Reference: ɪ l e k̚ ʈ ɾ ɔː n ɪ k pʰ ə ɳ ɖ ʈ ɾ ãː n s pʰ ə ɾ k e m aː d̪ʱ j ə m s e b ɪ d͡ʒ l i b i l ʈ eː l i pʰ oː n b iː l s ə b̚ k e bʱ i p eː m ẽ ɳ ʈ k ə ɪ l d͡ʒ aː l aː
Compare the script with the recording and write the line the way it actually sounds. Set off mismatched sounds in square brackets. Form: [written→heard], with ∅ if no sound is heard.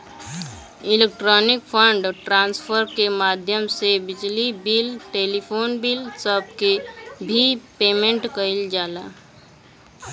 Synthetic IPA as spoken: ɪ l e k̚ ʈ ɾ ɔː n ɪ k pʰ ə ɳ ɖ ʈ ɾ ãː n s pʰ ə ɾ k e m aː d̪ʱ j ə m s e b ɪ d͡ʒ l i b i l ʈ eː l i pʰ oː n b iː l s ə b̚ k e bʱ i p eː m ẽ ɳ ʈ k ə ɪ l d͡ʒ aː l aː